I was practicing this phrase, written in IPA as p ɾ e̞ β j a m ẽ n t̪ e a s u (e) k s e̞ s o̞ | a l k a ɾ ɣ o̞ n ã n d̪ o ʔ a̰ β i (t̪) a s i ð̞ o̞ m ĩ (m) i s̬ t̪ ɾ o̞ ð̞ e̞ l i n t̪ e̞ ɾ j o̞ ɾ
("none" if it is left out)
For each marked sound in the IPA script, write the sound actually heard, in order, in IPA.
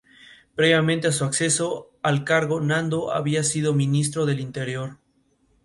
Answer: a, none, n

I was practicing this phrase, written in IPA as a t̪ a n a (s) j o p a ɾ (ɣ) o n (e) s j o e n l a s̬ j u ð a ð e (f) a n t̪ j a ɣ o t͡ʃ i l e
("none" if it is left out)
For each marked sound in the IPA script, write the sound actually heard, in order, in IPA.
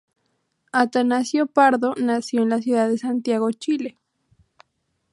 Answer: s, ð, a, s

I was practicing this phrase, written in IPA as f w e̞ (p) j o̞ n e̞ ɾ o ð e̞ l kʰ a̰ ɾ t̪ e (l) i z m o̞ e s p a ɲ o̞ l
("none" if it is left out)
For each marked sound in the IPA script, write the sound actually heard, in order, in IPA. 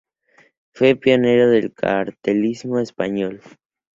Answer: p, l

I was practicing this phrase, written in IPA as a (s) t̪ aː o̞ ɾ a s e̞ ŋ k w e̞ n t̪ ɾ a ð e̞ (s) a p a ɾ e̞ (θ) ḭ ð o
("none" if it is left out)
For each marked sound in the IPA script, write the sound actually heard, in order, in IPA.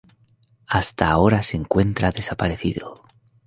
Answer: s, s, θ

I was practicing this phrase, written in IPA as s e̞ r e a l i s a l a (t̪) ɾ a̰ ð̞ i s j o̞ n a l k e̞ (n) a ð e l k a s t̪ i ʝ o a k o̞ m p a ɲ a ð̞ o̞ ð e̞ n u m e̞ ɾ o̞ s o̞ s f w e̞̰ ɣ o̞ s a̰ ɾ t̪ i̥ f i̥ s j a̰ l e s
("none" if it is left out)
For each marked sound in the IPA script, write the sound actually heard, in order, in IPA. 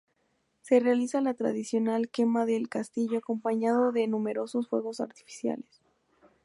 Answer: t̪, m

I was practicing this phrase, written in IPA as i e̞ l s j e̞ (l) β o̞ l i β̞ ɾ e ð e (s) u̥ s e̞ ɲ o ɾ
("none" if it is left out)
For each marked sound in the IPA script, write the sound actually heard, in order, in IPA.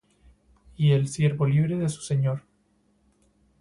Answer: ɾ, s

